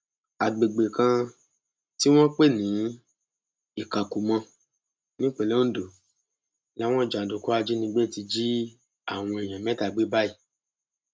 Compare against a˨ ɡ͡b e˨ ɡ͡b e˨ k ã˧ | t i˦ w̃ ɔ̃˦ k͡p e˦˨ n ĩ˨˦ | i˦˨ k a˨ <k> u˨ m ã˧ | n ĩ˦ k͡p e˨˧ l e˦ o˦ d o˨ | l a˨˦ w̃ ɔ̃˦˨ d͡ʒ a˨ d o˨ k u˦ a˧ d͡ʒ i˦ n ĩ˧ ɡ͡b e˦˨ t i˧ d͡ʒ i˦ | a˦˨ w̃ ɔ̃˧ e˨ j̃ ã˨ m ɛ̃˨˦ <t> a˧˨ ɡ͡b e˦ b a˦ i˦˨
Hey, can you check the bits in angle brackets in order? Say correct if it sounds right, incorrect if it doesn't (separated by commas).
correct, correct